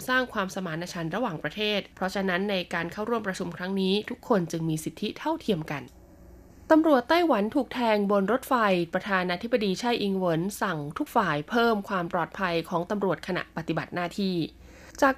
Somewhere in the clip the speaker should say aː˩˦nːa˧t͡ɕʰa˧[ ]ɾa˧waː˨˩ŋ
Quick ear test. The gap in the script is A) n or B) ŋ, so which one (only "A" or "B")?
A